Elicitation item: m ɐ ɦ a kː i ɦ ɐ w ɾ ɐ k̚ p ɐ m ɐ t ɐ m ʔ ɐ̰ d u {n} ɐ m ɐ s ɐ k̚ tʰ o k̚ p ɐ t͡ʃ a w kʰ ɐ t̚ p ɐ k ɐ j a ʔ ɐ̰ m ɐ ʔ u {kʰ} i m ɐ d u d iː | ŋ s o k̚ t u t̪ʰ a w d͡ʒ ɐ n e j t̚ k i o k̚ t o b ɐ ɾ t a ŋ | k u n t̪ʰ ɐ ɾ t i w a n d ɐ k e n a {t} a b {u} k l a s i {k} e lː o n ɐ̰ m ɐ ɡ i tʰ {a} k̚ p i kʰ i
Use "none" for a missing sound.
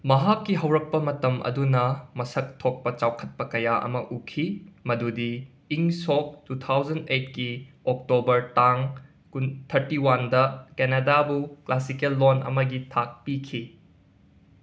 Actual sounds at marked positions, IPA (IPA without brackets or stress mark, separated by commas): n, kʰ, d, u, k, a